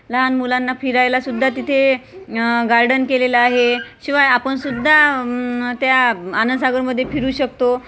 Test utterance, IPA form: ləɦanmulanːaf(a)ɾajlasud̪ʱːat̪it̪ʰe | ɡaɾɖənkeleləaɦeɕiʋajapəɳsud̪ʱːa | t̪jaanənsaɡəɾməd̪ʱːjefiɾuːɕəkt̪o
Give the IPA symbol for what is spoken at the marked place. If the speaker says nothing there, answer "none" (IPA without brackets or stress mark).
i